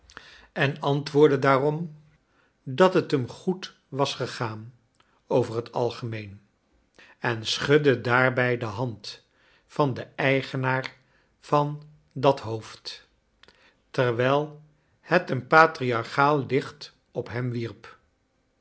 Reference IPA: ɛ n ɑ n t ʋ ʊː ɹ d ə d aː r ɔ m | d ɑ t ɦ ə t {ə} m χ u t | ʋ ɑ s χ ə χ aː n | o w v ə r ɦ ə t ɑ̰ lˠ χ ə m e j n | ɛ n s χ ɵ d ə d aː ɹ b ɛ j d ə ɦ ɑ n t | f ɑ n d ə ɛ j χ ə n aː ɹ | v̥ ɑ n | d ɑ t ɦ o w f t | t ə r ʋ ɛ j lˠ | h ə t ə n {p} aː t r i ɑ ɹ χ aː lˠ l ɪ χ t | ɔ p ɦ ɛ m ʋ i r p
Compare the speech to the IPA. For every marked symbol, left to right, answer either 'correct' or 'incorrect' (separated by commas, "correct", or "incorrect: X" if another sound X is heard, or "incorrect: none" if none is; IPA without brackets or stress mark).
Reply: correct, correct